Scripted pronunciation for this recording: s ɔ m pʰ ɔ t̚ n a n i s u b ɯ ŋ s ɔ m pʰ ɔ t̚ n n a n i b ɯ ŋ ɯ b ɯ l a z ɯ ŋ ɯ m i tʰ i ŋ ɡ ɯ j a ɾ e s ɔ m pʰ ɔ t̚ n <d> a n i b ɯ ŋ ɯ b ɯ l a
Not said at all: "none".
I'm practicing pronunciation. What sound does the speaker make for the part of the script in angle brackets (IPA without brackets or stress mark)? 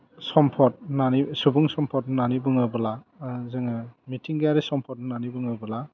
n